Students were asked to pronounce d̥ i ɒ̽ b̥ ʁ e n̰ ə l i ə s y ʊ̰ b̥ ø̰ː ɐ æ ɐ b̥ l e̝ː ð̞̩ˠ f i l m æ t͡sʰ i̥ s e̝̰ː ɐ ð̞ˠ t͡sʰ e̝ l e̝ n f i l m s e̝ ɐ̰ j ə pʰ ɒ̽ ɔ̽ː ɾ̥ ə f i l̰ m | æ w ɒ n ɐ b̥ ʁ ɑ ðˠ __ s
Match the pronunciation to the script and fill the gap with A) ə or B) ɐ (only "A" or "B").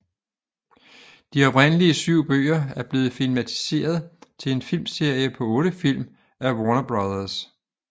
B